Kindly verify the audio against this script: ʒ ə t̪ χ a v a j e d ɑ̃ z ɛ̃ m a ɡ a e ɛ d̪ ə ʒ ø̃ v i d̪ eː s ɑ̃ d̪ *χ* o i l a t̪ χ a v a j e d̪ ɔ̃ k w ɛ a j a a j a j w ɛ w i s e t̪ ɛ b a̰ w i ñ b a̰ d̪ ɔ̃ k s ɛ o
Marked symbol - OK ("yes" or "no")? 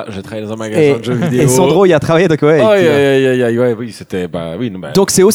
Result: no